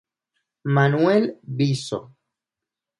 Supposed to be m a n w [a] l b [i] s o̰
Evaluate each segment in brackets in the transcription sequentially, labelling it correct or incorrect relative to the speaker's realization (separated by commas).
incorrect, correct